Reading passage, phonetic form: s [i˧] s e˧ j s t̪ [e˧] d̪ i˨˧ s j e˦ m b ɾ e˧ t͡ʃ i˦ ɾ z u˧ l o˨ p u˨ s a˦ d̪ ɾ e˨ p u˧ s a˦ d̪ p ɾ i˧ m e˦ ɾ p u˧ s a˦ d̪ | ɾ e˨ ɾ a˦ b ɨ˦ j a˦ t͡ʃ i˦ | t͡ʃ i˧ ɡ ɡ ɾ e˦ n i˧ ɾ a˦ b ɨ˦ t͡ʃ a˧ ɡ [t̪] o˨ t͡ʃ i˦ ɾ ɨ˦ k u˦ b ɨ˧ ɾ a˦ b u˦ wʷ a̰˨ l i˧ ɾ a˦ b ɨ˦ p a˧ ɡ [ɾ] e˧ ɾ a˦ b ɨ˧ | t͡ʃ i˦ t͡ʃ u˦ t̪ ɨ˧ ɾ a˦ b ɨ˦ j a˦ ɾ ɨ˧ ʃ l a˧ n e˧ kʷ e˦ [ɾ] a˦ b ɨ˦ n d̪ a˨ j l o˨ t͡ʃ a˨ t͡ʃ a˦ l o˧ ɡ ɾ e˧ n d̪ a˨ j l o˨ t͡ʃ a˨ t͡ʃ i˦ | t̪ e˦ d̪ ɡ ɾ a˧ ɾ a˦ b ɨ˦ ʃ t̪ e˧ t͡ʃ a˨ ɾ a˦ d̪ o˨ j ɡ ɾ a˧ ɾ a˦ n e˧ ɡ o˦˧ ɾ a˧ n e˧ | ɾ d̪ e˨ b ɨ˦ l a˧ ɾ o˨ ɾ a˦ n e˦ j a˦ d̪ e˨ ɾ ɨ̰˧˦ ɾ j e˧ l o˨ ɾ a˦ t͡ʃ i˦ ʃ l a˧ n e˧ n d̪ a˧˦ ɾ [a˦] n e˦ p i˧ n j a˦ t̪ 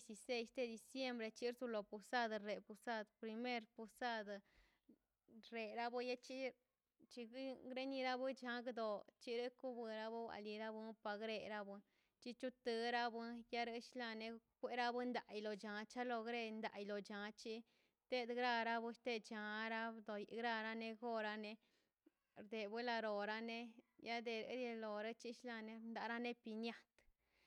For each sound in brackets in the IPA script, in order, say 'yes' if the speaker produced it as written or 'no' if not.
yes, yes, no, yes, yes, yes

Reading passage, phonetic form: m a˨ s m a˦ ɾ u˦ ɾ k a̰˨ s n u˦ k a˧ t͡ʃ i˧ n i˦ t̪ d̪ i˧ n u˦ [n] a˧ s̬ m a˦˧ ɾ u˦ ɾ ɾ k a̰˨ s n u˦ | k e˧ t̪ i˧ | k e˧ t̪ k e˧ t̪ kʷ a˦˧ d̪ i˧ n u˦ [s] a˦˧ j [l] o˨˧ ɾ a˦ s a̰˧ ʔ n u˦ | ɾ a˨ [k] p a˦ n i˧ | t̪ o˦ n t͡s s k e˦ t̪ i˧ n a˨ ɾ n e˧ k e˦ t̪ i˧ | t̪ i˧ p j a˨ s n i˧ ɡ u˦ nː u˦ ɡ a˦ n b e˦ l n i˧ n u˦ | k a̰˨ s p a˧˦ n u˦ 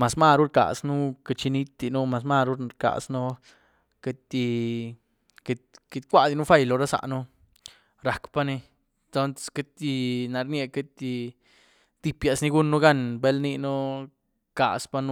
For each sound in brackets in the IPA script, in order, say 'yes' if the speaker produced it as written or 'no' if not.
no, no, yes, yes

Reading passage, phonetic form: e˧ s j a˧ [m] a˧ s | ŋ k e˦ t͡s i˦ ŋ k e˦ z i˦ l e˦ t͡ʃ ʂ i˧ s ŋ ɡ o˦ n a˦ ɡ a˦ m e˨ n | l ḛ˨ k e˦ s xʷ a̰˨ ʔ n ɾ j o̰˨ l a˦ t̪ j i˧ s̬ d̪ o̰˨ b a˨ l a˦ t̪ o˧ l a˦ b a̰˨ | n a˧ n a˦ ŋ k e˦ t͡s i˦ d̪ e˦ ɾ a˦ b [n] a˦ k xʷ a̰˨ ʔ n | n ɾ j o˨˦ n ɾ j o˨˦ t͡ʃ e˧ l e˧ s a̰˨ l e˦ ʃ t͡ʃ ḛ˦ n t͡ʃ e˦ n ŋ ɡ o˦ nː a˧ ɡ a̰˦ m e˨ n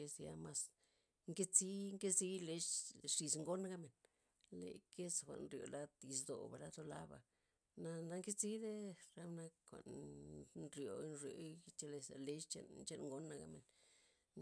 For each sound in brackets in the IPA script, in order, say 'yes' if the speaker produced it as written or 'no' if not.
yes, yes

